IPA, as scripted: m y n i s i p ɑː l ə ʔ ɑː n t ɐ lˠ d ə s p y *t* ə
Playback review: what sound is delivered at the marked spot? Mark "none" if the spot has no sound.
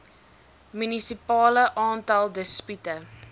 t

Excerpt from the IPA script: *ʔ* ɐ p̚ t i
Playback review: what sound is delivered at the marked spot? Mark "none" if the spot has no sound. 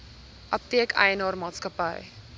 ʔ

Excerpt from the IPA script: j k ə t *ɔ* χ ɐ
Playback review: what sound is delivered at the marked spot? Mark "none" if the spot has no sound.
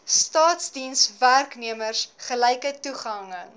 u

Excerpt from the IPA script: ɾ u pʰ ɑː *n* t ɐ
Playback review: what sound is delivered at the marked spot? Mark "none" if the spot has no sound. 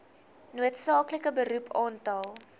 n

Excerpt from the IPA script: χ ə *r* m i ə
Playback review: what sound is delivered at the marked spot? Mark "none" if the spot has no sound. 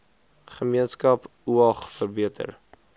none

